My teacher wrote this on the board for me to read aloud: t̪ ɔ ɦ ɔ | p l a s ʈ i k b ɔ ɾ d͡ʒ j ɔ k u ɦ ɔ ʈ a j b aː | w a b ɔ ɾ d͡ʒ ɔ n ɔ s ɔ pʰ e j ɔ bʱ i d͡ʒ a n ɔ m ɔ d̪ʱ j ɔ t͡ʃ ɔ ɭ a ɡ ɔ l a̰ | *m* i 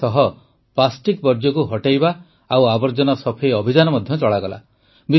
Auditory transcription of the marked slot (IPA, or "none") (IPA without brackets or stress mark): b